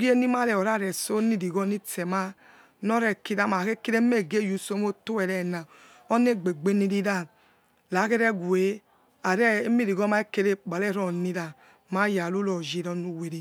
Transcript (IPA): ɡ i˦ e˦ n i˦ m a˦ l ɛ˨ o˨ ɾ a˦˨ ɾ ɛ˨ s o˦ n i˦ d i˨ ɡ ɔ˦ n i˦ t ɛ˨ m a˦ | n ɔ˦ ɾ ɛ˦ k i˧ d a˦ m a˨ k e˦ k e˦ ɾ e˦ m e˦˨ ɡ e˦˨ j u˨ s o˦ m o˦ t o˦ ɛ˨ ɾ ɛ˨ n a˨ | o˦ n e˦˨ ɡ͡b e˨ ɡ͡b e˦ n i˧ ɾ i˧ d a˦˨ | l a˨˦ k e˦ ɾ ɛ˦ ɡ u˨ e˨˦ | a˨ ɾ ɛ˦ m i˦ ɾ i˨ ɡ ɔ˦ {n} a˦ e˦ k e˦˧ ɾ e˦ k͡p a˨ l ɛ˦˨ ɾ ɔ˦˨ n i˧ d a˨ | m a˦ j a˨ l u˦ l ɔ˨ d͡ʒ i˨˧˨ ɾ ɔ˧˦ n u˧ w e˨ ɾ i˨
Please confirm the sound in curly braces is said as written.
no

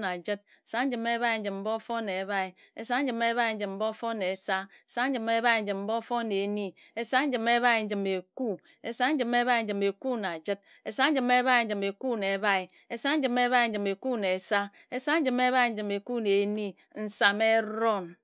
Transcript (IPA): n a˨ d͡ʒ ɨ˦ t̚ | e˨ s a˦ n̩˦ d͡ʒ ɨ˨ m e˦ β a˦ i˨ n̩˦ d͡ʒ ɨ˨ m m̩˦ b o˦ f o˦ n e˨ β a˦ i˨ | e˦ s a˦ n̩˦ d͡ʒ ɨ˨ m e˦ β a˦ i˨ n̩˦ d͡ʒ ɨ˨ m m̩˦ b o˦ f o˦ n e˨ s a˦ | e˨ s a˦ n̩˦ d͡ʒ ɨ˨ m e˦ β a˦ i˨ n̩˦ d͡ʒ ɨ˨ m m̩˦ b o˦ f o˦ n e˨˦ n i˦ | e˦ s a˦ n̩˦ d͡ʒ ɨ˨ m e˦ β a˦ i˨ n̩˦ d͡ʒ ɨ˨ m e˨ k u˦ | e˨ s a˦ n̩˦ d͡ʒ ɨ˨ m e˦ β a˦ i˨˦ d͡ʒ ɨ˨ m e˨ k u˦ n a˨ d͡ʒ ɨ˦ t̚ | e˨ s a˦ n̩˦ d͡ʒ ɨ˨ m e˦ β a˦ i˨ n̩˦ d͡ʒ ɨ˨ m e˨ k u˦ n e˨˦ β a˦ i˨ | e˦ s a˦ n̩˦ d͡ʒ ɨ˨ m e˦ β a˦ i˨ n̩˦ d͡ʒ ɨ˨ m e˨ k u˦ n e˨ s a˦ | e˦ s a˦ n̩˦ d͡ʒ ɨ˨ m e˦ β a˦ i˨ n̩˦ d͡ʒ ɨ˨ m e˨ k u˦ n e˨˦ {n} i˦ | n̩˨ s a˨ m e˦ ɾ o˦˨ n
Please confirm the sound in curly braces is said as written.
yes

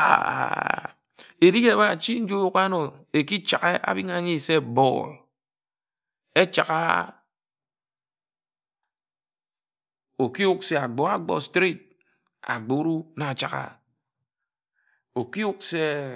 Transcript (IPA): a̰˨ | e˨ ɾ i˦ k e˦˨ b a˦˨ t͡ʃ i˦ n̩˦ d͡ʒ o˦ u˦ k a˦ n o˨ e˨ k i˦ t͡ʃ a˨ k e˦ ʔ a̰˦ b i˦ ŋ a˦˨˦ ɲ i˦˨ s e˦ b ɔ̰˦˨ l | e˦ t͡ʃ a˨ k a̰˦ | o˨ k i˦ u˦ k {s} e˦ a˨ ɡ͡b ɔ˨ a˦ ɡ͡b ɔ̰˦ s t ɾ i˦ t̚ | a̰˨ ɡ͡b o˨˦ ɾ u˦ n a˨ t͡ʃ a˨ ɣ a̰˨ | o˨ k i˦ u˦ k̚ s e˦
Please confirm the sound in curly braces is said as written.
yes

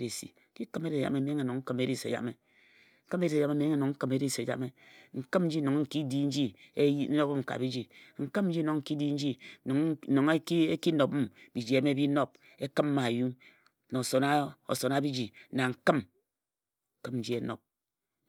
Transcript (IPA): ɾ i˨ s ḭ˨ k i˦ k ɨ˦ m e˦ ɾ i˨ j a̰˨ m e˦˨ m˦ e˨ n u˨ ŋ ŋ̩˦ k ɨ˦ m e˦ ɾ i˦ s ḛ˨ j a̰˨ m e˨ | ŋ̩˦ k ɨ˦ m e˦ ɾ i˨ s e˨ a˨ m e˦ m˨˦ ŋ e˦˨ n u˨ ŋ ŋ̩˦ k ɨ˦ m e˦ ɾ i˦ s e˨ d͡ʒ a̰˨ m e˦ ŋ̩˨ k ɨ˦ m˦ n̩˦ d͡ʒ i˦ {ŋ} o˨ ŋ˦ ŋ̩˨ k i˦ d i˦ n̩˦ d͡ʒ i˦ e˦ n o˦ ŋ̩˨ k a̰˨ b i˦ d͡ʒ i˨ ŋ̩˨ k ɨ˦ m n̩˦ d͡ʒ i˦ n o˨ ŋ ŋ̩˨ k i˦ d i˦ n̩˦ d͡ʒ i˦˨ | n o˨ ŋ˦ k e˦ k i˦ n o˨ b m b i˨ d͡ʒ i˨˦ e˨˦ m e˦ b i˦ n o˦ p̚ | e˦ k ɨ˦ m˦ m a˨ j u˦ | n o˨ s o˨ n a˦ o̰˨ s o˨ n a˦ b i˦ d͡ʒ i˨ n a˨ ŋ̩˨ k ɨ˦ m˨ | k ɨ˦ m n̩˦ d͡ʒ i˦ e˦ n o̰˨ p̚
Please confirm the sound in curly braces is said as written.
no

